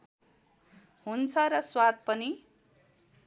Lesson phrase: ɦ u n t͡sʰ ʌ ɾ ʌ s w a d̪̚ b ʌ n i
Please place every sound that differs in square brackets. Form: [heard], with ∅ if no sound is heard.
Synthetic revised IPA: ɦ u n t͡sʰ ʌ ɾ ʌ s w a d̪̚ [p] ʌ n i